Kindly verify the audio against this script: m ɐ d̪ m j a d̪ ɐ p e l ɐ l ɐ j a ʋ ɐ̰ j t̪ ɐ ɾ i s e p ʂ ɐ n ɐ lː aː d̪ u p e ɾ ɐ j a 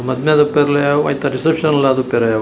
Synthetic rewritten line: m ɐ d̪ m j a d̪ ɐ p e ɾ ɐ l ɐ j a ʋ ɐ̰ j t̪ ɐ ɾ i s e p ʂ ɐ n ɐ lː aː d̪ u p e ɾ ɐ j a